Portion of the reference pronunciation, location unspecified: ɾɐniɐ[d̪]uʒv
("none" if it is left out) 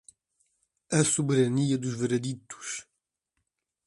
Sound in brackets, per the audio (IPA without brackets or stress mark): d̪